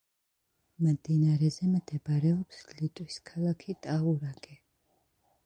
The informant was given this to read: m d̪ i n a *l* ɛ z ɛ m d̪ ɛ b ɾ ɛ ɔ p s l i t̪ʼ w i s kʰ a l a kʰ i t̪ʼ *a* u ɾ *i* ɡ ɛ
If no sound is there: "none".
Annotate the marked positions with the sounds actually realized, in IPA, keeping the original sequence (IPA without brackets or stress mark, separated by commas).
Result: ɾ, a, a